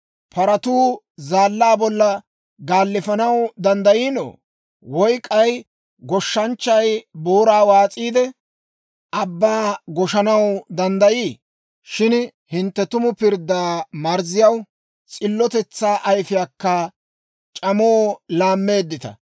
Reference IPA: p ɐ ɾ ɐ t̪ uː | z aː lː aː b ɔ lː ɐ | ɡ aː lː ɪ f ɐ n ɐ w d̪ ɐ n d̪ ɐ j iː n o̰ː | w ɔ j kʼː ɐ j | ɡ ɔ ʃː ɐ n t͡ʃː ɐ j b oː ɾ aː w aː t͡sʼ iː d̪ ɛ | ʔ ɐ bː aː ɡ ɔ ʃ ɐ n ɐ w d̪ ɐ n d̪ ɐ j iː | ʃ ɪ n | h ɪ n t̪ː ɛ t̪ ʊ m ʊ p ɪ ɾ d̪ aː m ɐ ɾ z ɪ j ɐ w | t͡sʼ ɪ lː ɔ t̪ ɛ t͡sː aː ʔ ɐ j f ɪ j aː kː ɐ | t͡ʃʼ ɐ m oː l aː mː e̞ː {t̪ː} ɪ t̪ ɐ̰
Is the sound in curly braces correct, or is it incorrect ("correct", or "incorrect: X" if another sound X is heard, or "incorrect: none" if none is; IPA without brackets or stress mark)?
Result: incorrect: d̪ː